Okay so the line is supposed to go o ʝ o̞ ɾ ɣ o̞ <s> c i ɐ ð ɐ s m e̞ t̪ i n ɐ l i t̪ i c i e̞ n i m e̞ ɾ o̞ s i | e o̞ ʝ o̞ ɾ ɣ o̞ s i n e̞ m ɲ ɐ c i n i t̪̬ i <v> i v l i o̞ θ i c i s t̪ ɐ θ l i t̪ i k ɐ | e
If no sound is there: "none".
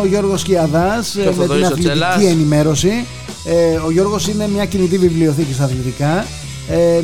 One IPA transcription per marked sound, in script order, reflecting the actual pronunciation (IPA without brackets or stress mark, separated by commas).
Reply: s, v